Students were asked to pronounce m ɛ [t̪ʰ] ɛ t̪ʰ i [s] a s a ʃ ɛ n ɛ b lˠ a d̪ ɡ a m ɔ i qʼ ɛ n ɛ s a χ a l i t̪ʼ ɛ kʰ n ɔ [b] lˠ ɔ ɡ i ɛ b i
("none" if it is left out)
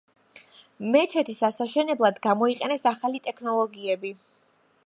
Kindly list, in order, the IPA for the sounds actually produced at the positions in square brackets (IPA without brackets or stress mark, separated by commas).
t̪ʰ, s, none